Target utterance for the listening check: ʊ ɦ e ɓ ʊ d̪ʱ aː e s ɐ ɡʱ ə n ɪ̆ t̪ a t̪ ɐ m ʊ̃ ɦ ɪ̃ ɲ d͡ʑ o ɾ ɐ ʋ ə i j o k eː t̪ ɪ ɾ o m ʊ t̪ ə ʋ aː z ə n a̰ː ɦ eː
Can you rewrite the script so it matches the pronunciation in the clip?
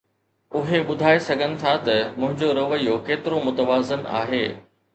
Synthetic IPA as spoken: ʊ ɦ e ɓ ʊ d̪ʱ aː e s ɐ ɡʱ ə n ɪ̆ t̪ʰ a t̪ ɐ m ʊ̃ ɦ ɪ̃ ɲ d͡ʑ o ɾ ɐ ʋ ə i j o k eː t̪ ɪ ɾ o m ʊ t̪ ə ʋ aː z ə n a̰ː ɦ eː